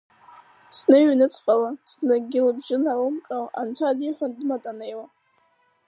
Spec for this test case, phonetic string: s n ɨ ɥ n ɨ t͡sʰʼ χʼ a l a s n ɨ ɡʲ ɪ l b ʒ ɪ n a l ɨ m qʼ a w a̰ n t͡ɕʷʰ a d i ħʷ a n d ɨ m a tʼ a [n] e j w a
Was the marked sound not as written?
no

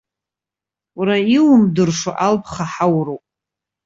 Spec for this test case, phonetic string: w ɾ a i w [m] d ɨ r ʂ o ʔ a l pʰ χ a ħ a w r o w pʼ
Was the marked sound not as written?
no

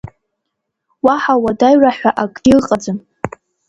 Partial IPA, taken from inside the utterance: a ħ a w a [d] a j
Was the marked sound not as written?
no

